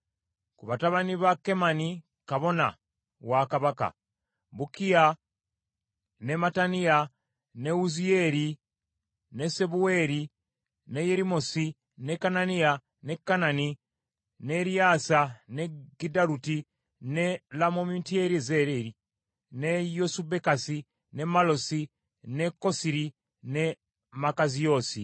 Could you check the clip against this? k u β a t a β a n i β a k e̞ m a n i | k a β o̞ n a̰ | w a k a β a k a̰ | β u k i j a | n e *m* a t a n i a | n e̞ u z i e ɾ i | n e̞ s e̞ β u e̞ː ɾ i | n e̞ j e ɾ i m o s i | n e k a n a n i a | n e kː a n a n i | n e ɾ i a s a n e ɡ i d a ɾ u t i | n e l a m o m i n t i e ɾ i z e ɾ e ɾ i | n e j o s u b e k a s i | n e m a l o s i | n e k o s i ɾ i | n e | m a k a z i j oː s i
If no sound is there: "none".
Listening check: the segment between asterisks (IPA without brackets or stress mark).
m